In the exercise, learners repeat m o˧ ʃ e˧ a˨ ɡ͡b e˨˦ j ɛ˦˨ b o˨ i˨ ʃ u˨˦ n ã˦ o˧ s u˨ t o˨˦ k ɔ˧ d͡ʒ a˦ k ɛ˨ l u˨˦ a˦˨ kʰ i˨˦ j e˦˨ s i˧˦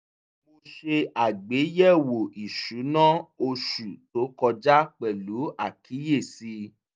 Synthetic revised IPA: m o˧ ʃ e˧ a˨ ɡ͡b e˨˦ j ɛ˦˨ w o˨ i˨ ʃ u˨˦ n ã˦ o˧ ʃ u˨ t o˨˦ k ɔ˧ d͡ʒ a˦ k͡p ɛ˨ l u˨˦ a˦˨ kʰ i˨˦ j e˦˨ s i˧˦